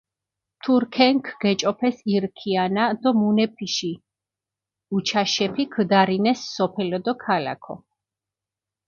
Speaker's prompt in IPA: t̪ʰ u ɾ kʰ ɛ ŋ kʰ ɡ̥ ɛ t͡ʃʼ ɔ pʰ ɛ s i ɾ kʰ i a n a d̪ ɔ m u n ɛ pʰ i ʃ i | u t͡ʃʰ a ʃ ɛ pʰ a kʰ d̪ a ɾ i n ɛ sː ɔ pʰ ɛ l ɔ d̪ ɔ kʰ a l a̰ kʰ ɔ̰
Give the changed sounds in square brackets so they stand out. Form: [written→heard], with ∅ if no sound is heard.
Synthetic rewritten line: t̪ʰ u ɾ kʰ ɛ ŋ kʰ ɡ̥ ɛ t͡ʃʼ ɔ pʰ ɛ s i ɾ kʰ i a n a d̪ ɔ m u n ɛ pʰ i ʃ i | u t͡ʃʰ a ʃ ɛ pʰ [a→i] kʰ d̪ a ɾ i n ɛ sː ɔ pʰ ɛ l ɔ d̪ ɔ kʰ a l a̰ kʰ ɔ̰

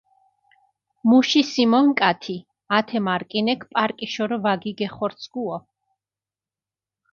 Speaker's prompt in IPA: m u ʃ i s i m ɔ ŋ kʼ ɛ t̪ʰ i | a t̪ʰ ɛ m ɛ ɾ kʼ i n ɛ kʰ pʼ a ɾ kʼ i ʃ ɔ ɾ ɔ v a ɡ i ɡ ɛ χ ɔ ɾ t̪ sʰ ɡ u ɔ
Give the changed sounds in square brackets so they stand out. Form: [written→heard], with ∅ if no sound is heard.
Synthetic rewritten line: m u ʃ i s i m ɔ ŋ kʼ [ɛ→a] t̪ʰ i | a t̪ʰ ɛ m [ɛ→a] ɾ kʼ i n ɛ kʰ pʼ a ɾ kʼ i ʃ ɔ ɾ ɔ v a ɡ i ɡ ɛ χ ɔ ɾ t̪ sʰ ɡ u ɔ

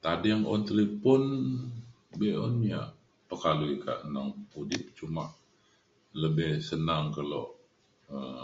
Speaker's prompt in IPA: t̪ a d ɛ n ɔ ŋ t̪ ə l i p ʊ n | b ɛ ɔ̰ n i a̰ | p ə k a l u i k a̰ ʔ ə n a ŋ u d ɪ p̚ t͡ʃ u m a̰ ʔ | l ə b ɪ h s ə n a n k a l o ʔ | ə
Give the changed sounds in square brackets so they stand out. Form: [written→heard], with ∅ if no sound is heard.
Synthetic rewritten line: t̪ a d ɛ [n→ŋ] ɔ [ŋ→n] t̪ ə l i p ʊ n | b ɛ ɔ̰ n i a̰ | p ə k a l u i k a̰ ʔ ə n a ŋ u d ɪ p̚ t͡ʃ u m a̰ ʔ | l ə b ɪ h s ə n a [n→ŋ] k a l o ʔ | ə

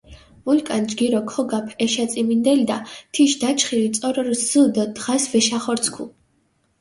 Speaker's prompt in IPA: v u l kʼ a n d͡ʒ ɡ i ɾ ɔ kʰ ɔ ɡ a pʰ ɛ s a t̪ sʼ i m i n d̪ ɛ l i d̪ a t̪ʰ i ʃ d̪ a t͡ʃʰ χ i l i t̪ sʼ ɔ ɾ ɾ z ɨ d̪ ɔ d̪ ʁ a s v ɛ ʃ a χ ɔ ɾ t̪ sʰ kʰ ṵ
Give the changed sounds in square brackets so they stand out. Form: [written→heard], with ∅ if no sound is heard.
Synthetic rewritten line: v u l kʼ a n d͡ʒ ɡ i ɾ ɔ kʰ ɔ ɡ a pʰ ɛ [s→ʃ] a t̪ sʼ i m i n d̪ ɛ l i d̪ a t̪ʰ i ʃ d̪ a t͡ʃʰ χ i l i t̪ sʼ ɔ ɾ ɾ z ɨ d̪ ɔ d̪ ʁ a s v ɛ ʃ a χ ɔ ɾ t̪ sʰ kʰ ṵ

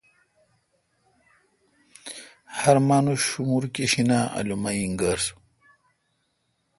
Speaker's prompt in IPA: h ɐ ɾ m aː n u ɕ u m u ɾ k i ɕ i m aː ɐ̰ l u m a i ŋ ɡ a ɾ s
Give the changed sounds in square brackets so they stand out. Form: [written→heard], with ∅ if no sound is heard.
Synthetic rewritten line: h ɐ ɾ m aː n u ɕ u m u ɾ k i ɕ i [m→n] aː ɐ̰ l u m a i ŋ ɡ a ɾ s

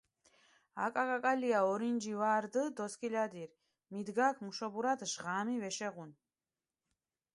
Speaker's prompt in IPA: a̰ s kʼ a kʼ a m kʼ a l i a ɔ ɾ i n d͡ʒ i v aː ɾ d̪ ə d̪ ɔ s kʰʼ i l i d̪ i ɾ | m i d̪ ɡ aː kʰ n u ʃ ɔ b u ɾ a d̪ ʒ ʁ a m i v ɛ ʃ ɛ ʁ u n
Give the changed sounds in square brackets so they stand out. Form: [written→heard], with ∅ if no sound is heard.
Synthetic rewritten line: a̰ [s→∅] kʼ a kʼ a [m→∅] kʼ a l i a ɔ ɾ i n d͡ʒ i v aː ɾ d̪ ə d̪ ɔ s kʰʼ i l [i→a] d̪ i ɾ | m i d̪ ɡ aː kʰ [n→m] u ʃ ɔ b u ɾ a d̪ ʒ ʁ a m i v ɛ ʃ ɛ ʁ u n

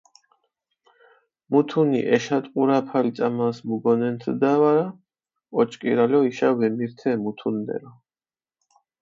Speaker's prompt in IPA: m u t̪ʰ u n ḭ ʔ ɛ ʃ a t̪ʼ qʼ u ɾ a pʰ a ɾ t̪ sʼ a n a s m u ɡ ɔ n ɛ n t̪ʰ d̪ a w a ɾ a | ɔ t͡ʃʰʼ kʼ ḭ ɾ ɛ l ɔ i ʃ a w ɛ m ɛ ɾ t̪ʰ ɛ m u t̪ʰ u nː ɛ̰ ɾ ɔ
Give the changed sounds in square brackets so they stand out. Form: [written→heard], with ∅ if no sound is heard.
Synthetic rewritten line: m u t̪ʰ u n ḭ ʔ ɛ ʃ a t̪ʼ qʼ u ɾ a pʰ a [ɾ→l] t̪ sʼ a [n→m] a s m u ɡ ɔ n ɛ n t̪ʰ d̪ a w a ɾ a | ɔ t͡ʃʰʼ kʼ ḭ ɾ [ɛ→a] l ɔ i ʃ a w ɛ m [ɛ→i] ɾ t̪ʰ ɛ m u t̪ʰ u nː ɛ̰ ɾ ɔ

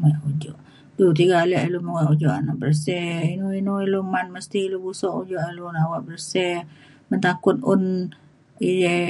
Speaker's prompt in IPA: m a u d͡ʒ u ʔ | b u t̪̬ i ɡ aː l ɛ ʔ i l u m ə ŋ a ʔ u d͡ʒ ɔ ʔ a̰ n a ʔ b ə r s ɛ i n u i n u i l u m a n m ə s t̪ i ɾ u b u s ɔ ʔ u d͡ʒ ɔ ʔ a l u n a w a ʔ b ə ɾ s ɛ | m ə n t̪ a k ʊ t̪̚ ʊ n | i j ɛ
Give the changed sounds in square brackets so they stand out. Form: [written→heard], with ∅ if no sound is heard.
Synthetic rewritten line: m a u d͡ʒ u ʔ | [b→d] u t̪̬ i ɡ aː l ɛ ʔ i l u m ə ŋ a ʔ u d͡ʒ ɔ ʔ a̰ n a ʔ b ə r s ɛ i n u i n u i l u m a n m ə s t̪ i [ɾ→l] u b u s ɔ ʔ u d͡ʒ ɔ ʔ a l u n a w a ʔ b ə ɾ s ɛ | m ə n t̪ a k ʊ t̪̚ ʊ n | i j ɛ

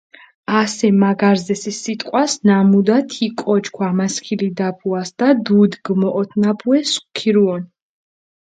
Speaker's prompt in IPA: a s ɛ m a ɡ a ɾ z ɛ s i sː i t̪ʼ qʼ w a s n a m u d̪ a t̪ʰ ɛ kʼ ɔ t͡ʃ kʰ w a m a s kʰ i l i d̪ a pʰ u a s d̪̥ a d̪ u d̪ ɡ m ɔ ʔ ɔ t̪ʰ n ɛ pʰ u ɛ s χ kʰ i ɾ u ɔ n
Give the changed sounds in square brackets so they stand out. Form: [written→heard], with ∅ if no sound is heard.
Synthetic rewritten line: a s ɛ m a ɡ a ɾ z ɛ s i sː i t̪ʼ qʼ w a s n a m u d̪ a t̪ʰ [ɛ→i] kʼ ɔ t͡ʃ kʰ w a m a s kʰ i l i d̪ a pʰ u a s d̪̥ a d̪ u d̪ ɡ m ɔ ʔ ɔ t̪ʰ n [ɛ→a] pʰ u ɛ s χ kʰ i ɾ u ɔ n

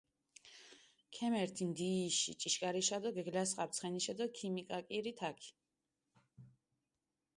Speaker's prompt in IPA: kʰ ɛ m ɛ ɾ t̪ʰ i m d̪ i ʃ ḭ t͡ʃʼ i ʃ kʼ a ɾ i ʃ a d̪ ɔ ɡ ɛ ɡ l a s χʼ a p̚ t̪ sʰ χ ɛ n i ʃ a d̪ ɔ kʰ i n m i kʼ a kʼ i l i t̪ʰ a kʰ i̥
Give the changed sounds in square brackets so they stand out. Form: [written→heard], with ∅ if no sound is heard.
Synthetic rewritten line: kʰ ɛ m ɛ ɾ t̪ʰ i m d̪ i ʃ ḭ t͡ʃʼ i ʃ kʼ a ɾ i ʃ a d̪ ɔ ɡ ɛ ɡ l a s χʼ a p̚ t̪ sʰ χ ɛ n i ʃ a d̪ ɔ kʰ i [n→∅] m i kʼ a kʼ i [l→ɾ] i t̪ʰ a kʰ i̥

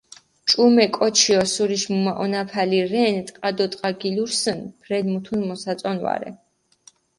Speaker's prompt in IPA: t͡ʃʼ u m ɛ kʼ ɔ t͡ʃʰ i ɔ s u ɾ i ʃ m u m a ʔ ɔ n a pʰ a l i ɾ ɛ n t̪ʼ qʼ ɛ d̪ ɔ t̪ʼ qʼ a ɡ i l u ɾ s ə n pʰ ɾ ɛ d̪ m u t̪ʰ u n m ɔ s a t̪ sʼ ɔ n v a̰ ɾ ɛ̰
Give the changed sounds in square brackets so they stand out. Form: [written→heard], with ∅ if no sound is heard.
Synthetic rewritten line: t͡ʃʼ u m ɛ kʼ ɔ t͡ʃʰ i ɔ s u ɾ i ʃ m u m a ʔ ɔ n a pʰ a l i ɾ ɛ n t̪ʼ qʼ [ɛ→a] d̪ ɔ t̪ʼ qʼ a ɡ i l u ɾ s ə n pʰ ɾ ɛ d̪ m u t̪ʰ u n m ɔ s a t̪ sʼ ɔ n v a̰ ɾ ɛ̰

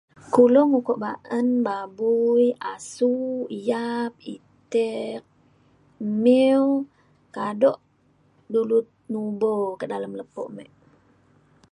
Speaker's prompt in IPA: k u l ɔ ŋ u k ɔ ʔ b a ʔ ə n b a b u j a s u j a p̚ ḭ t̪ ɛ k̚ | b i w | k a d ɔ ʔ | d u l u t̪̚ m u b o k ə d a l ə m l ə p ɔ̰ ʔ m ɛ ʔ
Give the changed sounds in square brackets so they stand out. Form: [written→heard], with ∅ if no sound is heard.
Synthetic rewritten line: k u l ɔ ŋ u k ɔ ʔ b a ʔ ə n b a b u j a s u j a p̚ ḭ t̪ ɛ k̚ | [b→m] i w | k a d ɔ ʔ | d u l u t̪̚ [m→n] u b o k ə d a l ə m l ə p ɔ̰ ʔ m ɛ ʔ

